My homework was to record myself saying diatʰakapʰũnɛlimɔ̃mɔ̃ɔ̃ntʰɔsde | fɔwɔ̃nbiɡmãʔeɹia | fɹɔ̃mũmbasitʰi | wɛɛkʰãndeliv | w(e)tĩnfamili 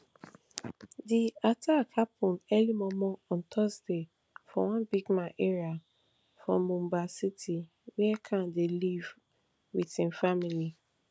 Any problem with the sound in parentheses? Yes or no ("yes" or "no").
yes